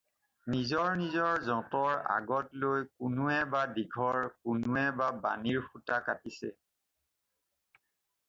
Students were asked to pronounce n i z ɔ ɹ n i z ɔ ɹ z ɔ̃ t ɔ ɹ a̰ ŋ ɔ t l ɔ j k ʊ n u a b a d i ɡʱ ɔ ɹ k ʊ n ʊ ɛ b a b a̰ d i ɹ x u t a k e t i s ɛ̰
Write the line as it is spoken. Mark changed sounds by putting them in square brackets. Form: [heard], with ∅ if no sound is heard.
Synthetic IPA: n i z ɔ ɹ n i z ɔ ɹ z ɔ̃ t ɔ ɹ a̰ [ɡ] ɔ t l [o] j k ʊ n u [ɛ] b a d i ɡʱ ɔ ɹ k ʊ n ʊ ɛ b a b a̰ [n] i ɹ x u t a k [a] t i s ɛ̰